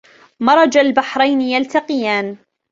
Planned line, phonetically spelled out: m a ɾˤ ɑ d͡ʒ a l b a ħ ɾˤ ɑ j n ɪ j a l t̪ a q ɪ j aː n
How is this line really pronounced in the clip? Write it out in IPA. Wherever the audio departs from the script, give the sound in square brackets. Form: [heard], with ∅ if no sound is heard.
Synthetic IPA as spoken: m [ɑ] ɾˤ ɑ d͡ʒ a l b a ħ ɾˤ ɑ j n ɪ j a l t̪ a q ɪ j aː n

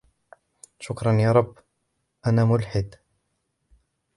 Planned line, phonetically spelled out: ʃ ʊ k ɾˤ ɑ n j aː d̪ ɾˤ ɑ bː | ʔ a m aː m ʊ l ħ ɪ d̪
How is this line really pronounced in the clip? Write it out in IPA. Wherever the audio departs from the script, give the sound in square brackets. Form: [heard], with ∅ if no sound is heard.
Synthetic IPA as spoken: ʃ ʊ k ɾˤ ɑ n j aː [∅] ɾˤ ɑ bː | ʔ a [n] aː m ʊ l ħ ɪ d̪

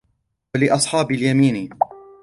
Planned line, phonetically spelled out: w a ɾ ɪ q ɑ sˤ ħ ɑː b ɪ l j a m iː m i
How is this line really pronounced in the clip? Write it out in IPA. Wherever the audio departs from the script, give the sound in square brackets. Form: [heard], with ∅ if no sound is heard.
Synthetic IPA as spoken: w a [l] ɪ [ʔ] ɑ sˤ ħ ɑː b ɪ l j a m iː [n] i

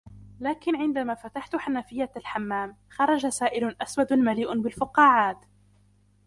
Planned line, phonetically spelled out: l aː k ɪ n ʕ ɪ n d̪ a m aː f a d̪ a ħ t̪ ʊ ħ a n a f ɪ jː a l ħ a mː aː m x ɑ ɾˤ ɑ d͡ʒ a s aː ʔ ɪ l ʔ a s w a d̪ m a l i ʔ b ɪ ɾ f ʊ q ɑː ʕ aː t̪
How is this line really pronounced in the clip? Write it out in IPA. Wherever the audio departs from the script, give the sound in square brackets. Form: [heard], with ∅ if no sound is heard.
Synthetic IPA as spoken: l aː k ɪ n ʕ ɪ n d̪ a m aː f a [t̪] a ħ t̪ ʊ ħ a n a f ɪ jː a l ħ a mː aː m x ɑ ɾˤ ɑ d͡ʒ a s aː ʔ ɪ l ʔ a s w a d̪ m a l [iː] ʔ b ɪ [l] f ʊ q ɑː ʕ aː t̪

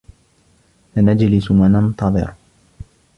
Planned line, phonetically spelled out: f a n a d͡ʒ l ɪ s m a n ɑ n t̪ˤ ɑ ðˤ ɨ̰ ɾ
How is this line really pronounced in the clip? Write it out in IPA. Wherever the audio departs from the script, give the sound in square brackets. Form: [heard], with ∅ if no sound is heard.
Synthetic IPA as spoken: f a n a d͡ʒ l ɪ s m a n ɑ n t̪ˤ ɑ ðˤ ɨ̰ ɾ

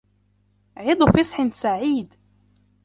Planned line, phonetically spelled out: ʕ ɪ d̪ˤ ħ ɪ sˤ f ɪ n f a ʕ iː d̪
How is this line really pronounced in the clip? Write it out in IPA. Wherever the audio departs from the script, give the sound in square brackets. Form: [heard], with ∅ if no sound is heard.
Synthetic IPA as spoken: ʕ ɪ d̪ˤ [f] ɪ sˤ [ħ] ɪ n [s] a ʕ iː d̪

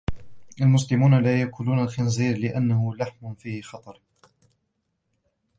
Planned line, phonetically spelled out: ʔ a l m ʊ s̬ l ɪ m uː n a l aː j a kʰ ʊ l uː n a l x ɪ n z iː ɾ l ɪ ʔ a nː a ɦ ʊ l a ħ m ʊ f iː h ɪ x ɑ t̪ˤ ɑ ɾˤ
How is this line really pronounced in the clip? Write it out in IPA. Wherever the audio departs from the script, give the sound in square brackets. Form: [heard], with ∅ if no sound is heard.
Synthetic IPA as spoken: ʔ a l m ʊ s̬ l ɪ m uː n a l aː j a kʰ ʊ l uː n a l x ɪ n z iː ɾ l ɪ ʔ a nː a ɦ ʊ l a ħ m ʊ f iː h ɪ x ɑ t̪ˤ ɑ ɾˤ

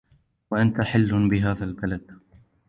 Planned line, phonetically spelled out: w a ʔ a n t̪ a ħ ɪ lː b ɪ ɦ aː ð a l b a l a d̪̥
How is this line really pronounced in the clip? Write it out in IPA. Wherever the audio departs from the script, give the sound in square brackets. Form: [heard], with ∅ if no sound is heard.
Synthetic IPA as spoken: w a ʔ a n t̪ a ħ ɪ lː b ɪ ɦ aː ð a l b a l a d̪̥

